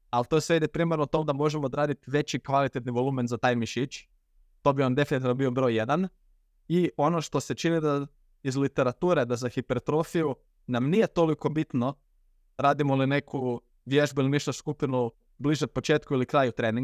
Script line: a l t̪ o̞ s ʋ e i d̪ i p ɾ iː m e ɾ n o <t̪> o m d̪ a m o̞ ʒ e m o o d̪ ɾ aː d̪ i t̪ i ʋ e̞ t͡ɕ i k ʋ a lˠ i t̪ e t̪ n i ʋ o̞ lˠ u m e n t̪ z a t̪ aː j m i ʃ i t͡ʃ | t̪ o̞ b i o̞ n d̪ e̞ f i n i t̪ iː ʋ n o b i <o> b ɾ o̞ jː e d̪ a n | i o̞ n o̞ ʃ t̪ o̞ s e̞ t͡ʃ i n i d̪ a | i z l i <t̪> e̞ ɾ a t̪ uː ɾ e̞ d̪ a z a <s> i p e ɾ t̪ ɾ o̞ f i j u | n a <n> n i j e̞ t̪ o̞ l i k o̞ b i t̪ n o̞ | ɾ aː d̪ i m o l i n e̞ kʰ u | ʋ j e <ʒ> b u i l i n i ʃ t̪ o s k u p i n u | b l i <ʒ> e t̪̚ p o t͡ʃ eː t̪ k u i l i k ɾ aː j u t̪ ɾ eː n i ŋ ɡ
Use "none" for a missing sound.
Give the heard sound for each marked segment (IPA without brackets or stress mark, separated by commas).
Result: t̪, o, t̪, x, m, ʒ, ʒ